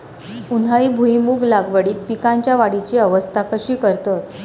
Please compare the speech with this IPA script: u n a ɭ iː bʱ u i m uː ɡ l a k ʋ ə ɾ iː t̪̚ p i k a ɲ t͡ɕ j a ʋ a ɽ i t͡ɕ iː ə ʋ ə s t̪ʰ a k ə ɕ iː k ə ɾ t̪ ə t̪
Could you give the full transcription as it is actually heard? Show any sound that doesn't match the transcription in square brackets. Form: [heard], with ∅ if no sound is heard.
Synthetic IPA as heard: u n a ɭ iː bʱ u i m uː ɡ l a [ɡ] ʋ ə [ɽ] iː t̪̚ p i k a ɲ t͡ɕ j a ʋ a ɽ i t͡ɕ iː ə ʋ ə s t̪ʰ a k ə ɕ iː k ə ɾ t̪ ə t̪